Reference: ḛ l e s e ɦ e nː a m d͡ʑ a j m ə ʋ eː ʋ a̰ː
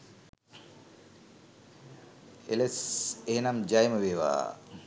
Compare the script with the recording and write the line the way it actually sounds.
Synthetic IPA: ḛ l e s e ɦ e n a m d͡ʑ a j m ə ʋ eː ʋ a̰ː